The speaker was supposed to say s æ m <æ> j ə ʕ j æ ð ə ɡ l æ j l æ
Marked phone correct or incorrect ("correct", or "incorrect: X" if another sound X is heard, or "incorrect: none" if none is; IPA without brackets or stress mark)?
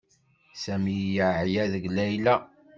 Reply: incorrect: i